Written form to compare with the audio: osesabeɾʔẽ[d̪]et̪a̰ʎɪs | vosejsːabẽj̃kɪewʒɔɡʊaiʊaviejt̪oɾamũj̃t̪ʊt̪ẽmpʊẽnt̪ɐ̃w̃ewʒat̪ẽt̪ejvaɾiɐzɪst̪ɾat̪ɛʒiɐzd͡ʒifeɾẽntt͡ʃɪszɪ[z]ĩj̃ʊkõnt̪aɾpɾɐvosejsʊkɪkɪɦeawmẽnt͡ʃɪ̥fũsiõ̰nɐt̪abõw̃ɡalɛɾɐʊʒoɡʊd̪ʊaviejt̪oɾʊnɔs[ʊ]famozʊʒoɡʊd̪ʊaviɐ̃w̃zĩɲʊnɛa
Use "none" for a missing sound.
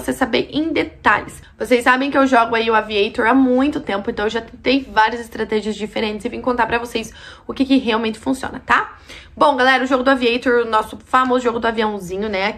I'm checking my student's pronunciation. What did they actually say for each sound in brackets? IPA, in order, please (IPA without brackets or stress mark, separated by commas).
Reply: d̪, v, ʊ